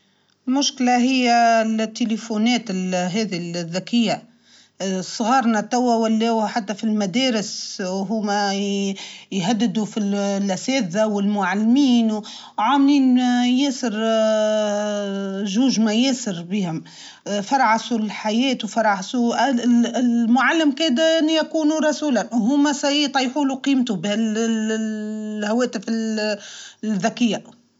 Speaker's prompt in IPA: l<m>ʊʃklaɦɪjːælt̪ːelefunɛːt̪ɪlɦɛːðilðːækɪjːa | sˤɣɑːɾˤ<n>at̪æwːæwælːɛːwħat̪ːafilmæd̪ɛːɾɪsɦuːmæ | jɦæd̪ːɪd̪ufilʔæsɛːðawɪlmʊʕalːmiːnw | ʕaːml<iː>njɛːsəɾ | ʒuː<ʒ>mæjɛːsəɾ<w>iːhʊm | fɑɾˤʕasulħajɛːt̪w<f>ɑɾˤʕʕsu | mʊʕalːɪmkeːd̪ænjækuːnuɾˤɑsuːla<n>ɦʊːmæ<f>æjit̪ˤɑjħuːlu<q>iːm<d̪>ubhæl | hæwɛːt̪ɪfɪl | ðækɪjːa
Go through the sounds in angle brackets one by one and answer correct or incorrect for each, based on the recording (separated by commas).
correct, correct, correct, correct, incorrect, correct, correct, incorrect, correct, incorrect